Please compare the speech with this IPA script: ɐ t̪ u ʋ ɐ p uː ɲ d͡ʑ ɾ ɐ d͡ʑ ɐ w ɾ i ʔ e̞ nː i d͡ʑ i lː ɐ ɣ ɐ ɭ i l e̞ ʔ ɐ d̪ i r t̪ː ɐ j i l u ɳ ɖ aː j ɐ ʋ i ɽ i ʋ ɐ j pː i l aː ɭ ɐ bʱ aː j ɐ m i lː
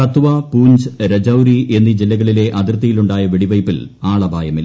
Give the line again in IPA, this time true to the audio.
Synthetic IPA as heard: ɐ t̪ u ʋ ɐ p uː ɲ d͡ʑ ɾ ɐ d͡ʑ ɐ w ɾ i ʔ e̞ nː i d͡ʑ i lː ɐ ɣ ɐ ɭ i l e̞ ʔ ɐ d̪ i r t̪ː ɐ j i l u ɳ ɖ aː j ɐ ʋ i ɽ i ʋ ɐ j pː i l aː ɭ ɐ bʱ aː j ɐ m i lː